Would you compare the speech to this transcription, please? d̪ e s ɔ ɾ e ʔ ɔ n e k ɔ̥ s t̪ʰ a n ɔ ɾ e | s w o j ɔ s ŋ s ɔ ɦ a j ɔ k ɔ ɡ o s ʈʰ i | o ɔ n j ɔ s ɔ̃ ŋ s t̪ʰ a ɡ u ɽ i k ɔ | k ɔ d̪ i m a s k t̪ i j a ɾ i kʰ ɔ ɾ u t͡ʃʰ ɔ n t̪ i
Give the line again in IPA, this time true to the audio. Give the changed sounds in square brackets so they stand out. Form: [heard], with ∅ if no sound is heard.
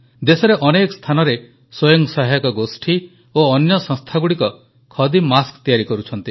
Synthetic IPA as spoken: d̪ e s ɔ ɾ e ʔ ɔ n e k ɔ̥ s t̪ʰ a n ɔ ɾ e | s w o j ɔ [∅] ŋ s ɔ ɦ a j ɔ k ɔ ɡ o s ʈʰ i | o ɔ n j ɔ s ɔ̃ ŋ s t̪ʰ a ɡ u ɽ i k ɔ | [kʰ] ɔ d̪ i m a s k t̪ i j a ɾ i [k] ɔ ɾ u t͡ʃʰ ɔ n t̪ i